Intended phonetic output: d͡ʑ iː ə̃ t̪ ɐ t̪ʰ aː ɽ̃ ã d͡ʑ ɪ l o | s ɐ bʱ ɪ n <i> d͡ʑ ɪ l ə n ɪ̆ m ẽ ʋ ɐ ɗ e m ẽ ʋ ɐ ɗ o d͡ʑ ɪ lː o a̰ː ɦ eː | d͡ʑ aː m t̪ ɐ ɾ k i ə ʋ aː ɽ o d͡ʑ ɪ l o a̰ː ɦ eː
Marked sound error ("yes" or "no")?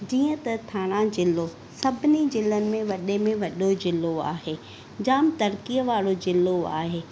no